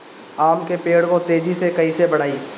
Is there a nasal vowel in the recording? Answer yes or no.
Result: no